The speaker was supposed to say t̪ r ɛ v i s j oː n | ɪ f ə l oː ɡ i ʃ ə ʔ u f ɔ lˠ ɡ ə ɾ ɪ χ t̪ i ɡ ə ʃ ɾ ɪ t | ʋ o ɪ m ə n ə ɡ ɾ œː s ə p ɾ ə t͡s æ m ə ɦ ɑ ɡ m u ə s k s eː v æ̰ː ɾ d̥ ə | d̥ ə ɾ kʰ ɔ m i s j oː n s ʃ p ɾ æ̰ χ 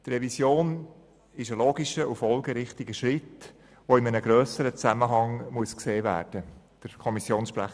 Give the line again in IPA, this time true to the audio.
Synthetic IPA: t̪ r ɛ v i s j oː n | ɪ ʃ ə l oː ɡ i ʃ ə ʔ u f ɔ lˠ ɡ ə ɾ ɪ χ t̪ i ɡ ə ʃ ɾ ɪ t | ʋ o ɪ m ə n ə ɡ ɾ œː s ə ɾ ə t͡s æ m ə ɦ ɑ ŋ m u ə s k s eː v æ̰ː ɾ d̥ ə | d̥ ə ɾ kʰ ɔ m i s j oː n s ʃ p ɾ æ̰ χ

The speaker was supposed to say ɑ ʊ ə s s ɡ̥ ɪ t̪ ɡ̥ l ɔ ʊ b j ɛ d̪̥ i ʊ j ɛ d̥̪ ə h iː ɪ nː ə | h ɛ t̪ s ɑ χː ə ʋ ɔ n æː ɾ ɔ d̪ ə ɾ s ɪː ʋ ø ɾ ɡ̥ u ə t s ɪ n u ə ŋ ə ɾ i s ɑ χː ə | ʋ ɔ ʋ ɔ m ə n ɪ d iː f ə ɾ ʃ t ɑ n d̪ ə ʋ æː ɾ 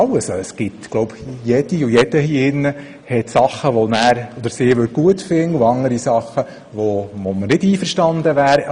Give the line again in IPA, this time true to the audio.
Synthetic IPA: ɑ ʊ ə s s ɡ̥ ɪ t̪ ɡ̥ l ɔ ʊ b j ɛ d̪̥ i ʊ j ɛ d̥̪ ə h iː ɪ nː ə | h ɛ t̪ s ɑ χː ə ʋ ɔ n æː ɾ ɔ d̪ ə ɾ s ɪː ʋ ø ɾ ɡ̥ u ə t f ɪ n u ɑ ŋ ə ɾ i s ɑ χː ə | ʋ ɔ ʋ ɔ m ə n ɪ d iː f ə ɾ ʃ t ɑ n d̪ ə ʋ æː ɾ

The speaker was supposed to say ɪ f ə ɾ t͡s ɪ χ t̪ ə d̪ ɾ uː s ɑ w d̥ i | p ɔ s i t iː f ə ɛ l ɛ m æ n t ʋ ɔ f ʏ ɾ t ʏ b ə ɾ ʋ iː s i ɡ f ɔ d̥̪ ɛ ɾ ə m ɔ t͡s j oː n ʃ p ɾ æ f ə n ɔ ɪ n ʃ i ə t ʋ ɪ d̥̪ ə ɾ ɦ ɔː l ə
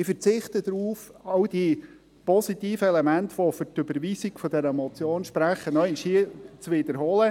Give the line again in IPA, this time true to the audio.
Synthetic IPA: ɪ f ə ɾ t͡s ɪ χ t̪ ə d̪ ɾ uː f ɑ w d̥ i | p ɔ s i t iː f ə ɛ l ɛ m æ n t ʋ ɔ f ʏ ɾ t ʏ b ə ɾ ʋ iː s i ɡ f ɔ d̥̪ ɛ ɾ ə m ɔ t͡s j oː n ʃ p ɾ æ χ ə n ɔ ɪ n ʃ i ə t͡s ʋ ɪ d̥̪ ə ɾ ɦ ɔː l ə

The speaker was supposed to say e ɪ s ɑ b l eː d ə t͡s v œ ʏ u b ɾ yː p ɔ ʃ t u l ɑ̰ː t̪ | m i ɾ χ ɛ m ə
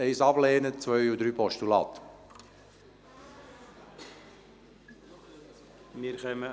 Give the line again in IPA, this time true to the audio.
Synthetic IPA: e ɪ s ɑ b l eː n ə t͡s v œ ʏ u d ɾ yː p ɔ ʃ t u l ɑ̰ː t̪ | m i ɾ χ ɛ m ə

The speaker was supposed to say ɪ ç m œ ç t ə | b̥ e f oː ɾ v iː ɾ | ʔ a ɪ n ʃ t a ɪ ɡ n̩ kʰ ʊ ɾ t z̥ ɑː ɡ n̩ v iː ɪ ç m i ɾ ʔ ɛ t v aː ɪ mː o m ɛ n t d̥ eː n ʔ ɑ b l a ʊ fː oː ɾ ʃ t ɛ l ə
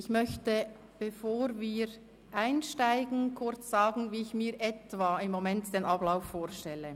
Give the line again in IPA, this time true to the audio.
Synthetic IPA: ɪ ç m œ ç t ə | b̥ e f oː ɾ v iː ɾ | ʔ a ɪ n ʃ t a ɪ ɡ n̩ kʰ ʊ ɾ t͡s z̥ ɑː ɡ n̩ v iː ɪ ç m iː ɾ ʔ ɛ t v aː ɪ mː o m ɛ n t d̥ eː n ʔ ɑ b l a ʊ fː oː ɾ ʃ t ɛ l ə

